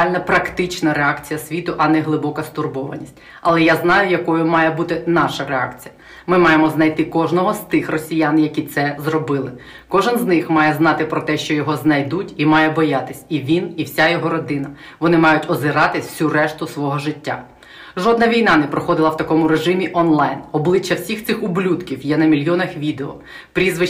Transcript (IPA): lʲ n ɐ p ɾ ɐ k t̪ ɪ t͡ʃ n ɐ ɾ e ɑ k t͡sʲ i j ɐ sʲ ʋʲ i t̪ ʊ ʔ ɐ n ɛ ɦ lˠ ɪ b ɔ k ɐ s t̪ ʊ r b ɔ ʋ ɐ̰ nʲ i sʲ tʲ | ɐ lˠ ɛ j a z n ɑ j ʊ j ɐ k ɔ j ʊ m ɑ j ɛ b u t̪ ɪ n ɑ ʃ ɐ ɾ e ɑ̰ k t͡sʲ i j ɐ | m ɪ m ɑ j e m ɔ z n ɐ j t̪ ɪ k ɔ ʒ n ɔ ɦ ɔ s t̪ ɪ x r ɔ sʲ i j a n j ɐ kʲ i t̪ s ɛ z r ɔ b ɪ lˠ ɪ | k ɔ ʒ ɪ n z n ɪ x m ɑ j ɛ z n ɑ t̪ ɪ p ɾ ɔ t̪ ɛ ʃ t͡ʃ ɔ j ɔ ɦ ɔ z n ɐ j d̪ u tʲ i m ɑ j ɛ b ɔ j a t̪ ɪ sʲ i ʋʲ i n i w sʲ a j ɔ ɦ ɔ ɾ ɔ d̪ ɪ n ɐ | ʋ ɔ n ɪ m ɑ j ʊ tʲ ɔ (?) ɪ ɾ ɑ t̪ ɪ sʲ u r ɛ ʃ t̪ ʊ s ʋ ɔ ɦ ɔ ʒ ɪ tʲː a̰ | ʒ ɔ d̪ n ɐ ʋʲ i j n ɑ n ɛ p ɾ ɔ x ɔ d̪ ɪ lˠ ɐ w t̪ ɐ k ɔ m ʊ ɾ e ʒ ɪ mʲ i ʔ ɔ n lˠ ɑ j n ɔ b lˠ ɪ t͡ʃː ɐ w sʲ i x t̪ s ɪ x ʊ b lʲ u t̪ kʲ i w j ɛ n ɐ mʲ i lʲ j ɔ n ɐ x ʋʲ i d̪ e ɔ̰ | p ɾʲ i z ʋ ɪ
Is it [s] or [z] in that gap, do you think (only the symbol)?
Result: z